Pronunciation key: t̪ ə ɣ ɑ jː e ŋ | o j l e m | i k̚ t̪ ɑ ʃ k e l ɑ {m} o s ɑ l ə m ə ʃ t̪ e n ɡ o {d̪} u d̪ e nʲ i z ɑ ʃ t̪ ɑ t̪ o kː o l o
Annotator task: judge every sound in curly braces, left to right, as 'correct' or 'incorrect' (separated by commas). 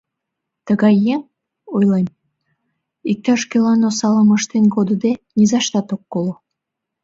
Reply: incorrect, correct